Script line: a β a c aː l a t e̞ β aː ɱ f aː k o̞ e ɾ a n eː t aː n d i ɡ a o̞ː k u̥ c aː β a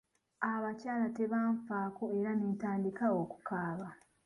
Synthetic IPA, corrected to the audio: a β a c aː l a t e̞ β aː ɱ f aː k o̞ e ɾ a n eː t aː n d i k a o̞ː k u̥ k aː β a